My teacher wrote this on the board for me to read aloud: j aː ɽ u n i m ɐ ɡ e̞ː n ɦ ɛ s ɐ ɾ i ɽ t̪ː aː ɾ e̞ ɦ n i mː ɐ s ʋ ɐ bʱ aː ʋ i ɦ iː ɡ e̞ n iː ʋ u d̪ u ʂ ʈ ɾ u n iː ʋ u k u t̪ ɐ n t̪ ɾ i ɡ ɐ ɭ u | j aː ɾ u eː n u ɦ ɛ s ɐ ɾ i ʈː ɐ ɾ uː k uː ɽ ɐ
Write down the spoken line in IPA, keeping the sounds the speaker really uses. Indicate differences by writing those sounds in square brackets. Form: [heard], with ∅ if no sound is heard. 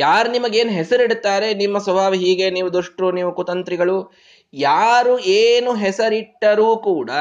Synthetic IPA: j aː [ɾ] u n i m ɐ ɡ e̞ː n ɦ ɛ s ɐ ɾ i ɽ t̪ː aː ɾ e̞ [∅] n i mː ɐ s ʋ ɐ bʱ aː ʋ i ɦ iː ɡ e̞ n iː ʋ u d̪ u ʂ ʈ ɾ u n iː ʋ u k u t̪ ɐ n t̪ ɾ i ɡ ɐ ɭ u | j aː ɾ u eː n u ɦ ɛ s ɐ ɾ i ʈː ɐ ɾ uː k uː ɽ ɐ